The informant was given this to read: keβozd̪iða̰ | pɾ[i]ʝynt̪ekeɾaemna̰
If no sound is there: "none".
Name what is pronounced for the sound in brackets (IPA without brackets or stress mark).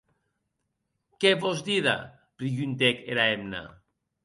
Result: i